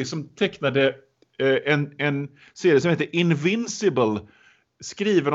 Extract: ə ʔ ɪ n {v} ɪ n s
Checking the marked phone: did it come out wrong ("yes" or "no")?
no